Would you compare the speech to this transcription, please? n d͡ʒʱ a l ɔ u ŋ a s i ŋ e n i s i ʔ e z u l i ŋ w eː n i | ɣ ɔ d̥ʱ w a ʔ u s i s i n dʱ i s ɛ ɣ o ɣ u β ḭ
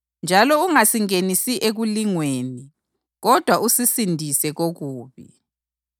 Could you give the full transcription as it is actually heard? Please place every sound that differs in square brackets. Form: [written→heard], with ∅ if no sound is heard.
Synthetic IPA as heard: n d͡ʒʱ a l ɔ u ŋ a s i ŋ e n i s i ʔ e [z→ɣ] u l i ŋ w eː n i | ɣ ɔ d̥ʱ w a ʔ u s i s i n dʱ i s ɛ ɣ o ɣ [u→uː] β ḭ